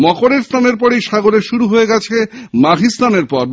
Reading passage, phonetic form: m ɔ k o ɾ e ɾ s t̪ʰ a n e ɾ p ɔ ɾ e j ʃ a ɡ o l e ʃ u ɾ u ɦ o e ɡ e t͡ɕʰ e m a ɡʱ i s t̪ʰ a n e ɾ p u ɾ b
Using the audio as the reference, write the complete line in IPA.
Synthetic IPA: m ɔ k o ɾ e ɾ s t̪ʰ a n e ɾ p ɔ ɾ e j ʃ a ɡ o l e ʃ u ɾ u ɦ o e ɡ ɛ t͡ɕʰ e m a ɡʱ i s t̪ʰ a n e ɾ p ɔ ɾ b